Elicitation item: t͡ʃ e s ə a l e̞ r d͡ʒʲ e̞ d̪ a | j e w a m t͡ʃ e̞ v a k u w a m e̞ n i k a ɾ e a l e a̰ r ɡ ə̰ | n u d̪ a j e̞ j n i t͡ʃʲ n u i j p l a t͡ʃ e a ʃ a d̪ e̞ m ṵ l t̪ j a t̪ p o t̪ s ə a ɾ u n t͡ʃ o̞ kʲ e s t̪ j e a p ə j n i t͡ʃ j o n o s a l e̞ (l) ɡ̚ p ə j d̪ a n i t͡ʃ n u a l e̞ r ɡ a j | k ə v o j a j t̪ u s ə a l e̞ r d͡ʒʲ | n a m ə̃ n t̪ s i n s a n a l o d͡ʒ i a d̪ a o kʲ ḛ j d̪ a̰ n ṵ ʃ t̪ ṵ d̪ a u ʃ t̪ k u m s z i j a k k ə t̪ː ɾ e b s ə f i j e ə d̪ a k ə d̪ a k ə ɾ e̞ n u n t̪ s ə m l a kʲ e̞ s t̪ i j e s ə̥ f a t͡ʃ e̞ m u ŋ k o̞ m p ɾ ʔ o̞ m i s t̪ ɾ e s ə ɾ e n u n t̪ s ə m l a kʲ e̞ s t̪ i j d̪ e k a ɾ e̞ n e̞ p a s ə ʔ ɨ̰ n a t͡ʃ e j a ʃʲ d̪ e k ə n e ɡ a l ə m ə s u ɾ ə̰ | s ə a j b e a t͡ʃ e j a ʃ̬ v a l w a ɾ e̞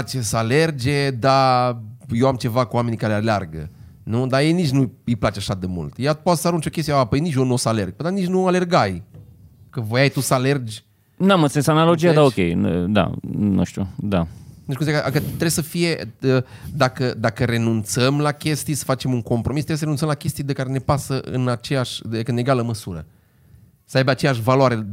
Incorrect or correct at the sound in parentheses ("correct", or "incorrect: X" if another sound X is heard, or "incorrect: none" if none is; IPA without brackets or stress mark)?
incorrect: r